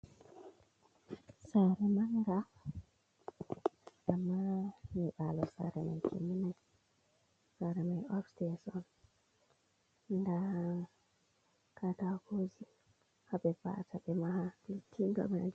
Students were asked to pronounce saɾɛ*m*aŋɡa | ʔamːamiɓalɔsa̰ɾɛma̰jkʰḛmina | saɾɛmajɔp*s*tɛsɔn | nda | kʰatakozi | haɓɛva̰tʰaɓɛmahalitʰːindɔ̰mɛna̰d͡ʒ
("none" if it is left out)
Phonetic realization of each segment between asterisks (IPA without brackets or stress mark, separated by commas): m, s